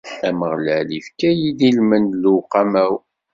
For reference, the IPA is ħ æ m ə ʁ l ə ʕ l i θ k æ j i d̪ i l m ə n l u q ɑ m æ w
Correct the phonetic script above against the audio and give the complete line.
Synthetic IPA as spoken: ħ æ m ə ʁ l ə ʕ l i f k æ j i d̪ i l m ə n l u q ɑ m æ w